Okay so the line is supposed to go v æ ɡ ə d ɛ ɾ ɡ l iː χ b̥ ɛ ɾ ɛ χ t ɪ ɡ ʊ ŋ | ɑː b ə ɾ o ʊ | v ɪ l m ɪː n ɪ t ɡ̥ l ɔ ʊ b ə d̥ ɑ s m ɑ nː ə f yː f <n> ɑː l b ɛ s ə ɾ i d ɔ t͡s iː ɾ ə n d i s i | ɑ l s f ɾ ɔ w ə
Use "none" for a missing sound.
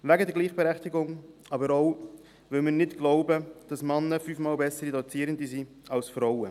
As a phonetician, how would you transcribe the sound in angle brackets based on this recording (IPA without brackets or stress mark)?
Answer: m